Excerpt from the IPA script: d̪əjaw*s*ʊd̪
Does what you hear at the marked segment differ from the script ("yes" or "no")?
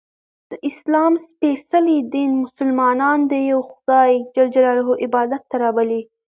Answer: yes